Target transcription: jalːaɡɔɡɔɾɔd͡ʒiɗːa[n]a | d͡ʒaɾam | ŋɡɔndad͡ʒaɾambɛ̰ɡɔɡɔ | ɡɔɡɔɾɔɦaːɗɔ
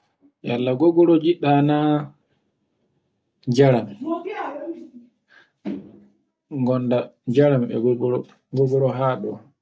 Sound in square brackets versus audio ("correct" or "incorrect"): correct